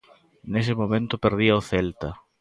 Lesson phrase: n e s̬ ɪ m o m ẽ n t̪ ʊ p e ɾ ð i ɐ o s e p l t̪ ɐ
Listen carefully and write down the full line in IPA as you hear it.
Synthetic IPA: n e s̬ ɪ m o m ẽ n t̪ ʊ p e ɾ ð i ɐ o θ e l t̪ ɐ